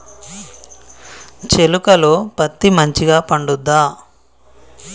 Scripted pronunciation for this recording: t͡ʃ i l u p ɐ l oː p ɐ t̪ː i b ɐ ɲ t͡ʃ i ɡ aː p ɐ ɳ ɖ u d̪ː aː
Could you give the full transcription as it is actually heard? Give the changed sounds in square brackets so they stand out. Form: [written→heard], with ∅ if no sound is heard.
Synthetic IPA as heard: t͡ʃ [i→e] l u [p→k] ɐ l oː p ɐ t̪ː i [b→m] ɐ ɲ t͡ʃ i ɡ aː p ɐ ɳ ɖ u d̪ː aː